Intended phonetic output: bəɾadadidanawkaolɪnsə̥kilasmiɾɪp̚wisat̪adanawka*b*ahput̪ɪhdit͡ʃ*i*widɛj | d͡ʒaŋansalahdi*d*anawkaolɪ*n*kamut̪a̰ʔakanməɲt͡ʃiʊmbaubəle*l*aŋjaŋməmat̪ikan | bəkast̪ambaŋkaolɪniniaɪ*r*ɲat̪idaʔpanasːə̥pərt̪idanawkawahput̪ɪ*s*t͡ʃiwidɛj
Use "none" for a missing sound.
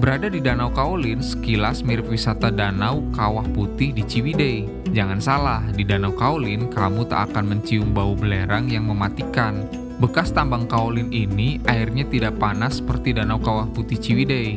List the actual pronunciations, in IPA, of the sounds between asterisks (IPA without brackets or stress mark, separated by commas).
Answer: w, i, d, n, ɾ, r, h